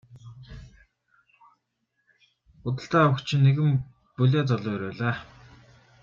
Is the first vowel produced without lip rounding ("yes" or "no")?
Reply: no